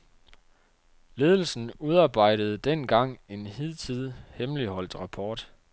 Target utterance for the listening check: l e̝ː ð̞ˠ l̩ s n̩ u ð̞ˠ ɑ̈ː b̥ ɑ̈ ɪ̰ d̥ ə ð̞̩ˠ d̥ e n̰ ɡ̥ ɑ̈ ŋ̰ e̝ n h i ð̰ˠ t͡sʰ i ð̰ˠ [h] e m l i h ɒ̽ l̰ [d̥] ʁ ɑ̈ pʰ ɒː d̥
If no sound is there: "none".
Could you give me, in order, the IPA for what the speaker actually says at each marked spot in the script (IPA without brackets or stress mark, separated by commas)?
h, d̥